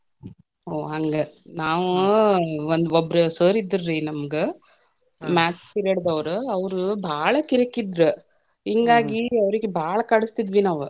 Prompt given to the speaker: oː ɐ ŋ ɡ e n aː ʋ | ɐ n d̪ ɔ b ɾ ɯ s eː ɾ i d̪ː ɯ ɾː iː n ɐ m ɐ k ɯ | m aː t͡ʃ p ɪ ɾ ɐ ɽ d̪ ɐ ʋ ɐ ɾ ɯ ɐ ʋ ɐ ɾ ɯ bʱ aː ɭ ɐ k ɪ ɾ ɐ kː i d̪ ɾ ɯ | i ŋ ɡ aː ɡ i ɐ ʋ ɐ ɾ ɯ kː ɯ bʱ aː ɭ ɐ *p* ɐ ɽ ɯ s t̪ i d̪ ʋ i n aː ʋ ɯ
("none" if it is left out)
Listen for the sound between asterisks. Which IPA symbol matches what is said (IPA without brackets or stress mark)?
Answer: k